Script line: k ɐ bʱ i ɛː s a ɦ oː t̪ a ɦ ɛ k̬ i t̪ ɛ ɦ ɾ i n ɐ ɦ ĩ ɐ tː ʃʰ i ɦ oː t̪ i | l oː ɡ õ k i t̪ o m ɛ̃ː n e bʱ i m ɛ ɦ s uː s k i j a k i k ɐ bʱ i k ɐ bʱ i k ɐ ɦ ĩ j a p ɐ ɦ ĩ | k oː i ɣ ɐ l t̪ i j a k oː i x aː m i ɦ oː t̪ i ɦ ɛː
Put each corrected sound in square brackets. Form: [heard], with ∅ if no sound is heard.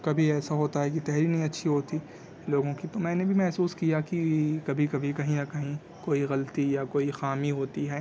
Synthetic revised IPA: k ɐ bʱ i ɛː s a ɦ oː t̪ a ɦ ɛ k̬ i t̪ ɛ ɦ ɾ i n ɐ ɦ ĩ ɐ tː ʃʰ i ɦ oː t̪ i | l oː ɡ õ k i t̪ o m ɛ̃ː n e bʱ i m ɛ ɦ s uː s k i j a k i k ɐ bʱ i k ɐ bʱ i k ɐ ɦ ĩ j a [k] ɐ ɦ ĩ | k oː i ɣ ɐ l t̪ i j a k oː i x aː m i ɦ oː t̪ i ɦ ɛː